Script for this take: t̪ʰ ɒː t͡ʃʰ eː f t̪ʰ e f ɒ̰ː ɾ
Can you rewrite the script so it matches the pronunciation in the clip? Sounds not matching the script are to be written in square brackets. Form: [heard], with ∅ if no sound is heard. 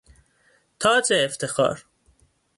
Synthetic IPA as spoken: t̪ʰ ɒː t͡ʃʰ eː f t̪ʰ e [x] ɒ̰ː ɾ